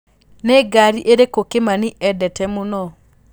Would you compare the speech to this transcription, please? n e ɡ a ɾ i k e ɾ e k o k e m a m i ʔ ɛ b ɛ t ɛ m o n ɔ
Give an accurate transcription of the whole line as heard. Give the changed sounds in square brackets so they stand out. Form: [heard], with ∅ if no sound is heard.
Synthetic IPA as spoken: n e ɡ a ɾ i [ʔ] e ɾ e k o k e m a [n] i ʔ ɛ [d] ɛ t ɛ m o n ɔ